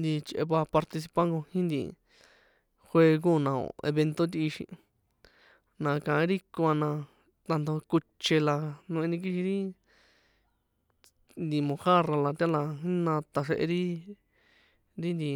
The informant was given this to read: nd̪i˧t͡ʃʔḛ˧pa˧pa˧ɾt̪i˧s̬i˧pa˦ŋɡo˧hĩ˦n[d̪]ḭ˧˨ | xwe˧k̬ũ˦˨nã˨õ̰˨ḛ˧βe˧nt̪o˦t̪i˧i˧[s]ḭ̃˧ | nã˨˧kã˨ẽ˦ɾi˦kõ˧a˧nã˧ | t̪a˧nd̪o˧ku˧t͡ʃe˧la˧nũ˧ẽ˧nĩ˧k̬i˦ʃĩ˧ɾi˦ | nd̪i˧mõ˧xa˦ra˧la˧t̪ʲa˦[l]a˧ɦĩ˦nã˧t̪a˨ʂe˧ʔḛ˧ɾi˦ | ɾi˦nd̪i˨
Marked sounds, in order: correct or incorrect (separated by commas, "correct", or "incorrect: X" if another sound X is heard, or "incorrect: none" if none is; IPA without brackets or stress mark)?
correct, incorrect: ʃ, correct